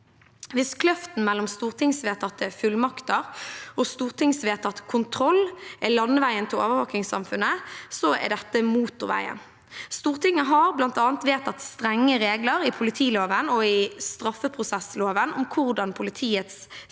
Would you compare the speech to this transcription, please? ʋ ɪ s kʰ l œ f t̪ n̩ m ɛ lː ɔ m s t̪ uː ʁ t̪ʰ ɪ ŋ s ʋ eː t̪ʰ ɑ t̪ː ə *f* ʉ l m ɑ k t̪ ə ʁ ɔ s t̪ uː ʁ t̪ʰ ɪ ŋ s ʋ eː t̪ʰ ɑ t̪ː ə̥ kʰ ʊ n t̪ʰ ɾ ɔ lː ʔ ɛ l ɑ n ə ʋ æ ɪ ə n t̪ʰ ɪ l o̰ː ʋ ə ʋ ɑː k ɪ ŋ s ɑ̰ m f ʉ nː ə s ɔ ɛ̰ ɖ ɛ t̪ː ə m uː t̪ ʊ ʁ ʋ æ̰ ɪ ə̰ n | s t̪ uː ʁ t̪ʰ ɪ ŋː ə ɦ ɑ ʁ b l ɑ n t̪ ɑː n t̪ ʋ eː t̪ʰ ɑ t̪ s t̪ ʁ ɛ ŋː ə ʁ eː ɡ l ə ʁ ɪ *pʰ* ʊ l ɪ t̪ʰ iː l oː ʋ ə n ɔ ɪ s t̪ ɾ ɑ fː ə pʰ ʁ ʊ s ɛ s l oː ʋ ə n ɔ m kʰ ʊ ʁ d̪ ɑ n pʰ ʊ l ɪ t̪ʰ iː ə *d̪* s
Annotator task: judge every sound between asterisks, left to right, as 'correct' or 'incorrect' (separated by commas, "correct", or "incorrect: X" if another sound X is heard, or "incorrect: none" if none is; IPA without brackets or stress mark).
correct, correct, incorrect: t̪